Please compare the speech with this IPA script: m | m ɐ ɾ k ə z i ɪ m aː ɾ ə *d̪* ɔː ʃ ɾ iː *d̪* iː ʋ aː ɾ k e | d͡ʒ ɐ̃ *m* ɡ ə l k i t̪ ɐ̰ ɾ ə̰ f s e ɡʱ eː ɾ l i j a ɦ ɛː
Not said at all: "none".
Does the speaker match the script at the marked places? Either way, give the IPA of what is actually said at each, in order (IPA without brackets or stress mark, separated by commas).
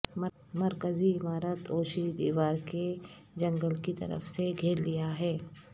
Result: t̪, d̪, ŋ